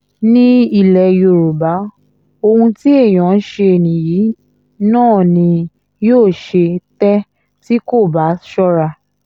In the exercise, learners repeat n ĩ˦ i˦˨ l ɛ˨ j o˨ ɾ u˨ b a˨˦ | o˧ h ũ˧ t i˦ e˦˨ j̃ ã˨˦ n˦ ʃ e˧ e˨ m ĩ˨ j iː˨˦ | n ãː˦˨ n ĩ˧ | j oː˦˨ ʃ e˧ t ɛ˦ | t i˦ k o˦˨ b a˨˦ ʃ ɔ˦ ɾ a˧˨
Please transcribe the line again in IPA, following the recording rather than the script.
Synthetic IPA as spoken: n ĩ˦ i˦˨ l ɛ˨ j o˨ ɾ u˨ b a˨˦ | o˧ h ũ˧ t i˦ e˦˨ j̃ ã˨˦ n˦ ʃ e˧ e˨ n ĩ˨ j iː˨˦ | n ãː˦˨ n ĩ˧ | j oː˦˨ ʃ e˧ t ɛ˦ | t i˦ k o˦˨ b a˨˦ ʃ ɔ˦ ɾ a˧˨